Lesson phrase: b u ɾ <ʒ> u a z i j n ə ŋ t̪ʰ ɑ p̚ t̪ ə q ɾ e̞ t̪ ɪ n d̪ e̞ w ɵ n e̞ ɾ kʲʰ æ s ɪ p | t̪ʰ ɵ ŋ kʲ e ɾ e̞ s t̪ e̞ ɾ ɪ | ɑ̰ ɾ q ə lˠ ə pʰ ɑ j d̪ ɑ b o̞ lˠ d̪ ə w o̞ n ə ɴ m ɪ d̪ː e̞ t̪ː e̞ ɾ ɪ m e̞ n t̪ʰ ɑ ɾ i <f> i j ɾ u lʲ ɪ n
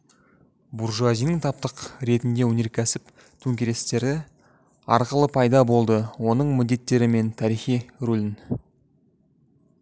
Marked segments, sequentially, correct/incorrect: correct, incorrect

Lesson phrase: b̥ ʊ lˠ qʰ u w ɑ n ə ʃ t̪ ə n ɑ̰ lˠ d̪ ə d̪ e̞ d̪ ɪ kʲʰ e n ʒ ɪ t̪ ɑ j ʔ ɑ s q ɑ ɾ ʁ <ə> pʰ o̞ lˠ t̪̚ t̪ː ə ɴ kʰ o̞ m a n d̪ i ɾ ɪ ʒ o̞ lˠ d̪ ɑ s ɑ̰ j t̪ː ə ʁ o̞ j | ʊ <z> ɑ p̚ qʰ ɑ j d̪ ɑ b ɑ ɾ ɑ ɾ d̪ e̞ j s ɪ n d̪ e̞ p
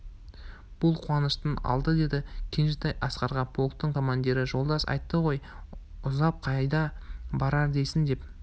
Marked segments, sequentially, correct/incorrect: incorrect, correct

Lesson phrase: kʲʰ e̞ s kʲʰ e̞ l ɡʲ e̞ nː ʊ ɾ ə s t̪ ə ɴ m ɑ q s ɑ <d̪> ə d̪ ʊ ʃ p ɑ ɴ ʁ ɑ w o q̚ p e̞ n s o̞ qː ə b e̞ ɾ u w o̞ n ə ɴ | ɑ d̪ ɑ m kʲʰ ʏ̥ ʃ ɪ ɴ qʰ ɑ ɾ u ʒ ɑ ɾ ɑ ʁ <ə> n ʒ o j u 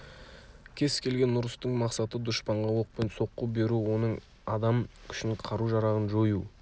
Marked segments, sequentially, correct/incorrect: incorrect, correct

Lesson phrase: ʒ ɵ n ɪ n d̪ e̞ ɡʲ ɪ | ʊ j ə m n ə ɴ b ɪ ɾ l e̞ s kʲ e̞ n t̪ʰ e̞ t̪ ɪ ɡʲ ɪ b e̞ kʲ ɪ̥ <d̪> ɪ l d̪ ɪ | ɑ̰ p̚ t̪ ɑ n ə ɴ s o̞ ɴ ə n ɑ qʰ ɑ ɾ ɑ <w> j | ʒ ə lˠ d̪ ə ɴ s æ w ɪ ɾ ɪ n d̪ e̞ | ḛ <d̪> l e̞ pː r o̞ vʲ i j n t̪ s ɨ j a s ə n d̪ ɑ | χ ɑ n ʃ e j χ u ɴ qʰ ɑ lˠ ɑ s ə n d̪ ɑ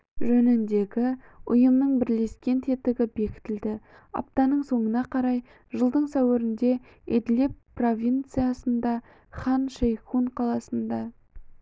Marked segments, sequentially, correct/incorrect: incorrect, incorrect, correct

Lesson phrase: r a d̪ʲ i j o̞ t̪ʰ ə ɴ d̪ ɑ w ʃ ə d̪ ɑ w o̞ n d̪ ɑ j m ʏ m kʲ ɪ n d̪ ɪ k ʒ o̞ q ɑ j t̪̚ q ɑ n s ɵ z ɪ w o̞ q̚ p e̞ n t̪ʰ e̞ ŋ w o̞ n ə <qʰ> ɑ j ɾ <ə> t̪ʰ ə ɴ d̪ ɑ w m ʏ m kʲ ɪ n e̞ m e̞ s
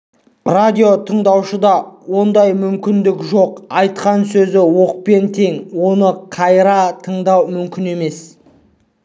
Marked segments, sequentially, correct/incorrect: correct, incorrect

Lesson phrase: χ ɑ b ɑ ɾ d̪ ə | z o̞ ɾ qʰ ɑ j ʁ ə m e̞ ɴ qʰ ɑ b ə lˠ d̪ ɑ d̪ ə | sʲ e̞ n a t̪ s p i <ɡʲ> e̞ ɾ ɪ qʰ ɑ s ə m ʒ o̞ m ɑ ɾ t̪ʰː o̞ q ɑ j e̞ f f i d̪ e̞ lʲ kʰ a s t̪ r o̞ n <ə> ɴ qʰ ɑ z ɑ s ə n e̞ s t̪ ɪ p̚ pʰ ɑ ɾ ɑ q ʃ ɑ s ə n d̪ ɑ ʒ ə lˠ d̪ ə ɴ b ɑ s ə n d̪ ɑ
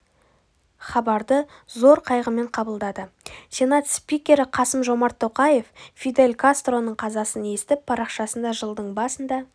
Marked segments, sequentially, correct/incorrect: incorrect, correct

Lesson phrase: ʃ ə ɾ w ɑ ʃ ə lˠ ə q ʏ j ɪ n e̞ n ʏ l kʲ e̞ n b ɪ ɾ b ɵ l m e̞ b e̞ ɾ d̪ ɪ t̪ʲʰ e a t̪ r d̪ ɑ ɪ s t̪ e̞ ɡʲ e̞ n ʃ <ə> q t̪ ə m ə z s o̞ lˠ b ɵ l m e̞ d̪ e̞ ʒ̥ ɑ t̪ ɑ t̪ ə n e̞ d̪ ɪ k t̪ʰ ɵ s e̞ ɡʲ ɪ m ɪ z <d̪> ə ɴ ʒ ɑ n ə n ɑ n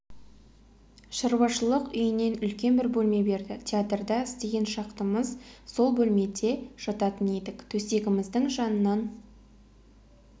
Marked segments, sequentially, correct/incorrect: incorrect, correct

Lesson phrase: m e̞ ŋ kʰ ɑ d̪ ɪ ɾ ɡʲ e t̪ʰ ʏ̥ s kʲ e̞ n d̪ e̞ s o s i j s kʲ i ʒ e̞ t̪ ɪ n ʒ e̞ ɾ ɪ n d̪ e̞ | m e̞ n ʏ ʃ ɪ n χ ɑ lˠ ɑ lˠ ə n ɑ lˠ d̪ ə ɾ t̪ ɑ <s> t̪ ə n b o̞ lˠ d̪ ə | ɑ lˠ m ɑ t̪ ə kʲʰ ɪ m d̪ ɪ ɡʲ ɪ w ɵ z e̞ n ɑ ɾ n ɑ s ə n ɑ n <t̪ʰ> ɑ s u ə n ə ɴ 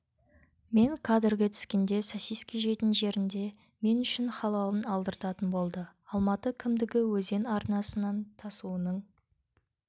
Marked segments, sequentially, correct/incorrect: incorrect, correct

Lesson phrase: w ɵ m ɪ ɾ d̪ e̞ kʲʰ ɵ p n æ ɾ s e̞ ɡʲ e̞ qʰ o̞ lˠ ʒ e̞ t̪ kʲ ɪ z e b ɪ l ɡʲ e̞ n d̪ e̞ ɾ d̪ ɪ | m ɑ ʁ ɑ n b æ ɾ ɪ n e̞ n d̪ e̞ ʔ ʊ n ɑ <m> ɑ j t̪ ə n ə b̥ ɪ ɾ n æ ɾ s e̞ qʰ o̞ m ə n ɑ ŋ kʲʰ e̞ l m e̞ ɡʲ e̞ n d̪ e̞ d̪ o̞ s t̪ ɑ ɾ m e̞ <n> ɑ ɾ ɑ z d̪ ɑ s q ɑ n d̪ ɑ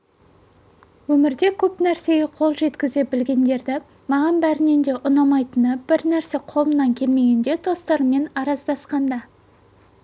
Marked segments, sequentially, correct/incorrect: correct, correct

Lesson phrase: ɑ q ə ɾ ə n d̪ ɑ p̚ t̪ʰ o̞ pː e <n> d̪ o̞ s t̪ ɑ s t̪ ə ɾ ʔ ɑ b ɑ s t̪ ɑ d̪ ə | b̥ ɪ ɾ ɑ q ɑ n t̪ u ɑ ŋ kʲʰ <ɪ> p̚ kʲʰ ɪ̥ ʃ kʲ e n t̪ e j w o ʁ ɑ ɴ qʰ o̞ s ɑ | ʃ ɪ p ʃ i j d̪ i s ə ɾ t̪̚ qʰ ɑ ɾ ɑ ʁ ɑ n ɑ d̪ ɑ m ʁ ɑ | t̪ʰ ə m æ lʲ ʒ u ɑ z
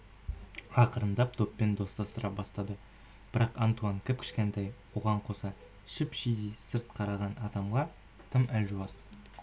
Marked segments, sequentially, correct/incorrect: correct, correct

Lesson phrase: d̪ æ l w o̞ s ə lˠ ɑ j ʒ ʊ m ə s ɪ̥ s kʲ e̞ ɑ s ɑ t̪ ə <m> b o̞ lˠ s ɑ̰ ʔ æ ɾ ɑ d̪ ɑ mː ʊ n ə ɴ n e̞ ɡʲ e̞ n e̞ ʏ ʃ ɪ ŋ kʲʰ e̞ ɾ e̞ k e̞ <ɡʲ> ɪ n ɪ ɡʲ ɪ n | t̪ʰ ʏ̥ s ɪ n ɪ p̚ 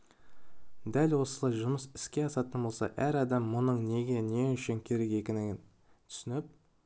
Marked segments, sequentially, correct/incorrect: incorrect, incorrect

